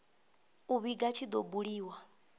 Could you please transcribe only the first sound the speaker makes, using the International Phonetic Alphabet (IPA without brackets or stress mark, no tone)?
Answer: u